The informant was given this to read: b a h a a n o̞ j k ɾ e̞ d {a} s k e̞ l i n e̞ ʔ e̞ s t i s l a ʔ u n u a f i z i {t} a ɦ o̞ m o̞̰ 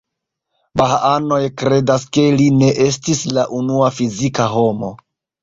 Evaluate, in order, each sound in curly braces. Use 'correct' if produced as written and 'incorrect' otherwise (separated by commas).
correct, incorrect